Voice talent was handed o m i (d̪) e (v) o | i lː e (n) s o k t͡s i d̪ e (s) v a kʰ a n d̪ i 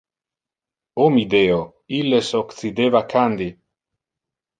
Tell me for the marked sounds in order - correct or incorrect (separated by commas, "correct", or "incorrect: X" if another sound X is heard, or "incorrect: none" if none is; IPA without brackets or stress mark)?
correct, incorrect: none, incorrect: none, incorrect: none